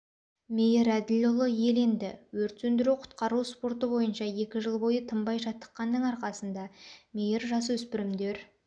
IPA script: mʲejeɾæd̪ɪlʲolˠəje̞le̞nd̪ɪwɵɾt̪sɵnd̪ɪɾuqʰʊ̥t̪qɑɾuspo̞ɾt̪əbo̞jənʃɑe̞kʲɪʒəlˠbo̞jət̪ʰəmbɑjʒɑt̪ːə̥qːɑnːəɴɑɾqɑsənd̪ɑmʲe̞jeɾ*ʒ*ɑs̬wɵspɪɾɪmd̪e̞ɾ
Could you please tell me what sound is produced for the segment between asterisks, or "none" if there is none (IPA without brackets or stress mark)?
ʒ